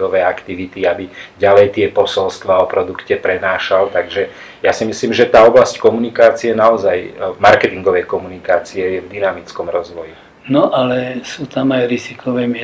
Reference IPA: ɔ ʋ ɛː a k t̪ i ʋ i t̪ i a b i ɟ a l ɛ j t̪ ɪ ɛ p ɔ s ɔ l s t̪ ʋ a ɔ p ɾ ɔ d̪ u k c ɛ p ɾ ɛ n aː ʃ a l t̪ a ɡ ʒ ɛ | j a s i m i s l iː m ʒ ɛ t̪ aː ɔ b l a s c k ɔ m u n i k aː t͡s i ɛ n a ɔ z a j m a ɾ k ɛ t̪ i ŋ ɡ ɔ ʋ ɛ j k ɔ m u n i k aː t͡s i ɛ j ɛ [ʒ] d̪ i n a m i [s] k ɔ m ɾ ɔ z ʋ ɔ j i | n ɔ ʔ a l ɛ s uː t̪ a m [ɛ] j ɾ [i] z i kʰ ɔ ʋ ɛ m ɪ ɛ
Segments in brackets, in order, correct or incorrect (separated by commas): incorrect, incorrect, incorrect, correct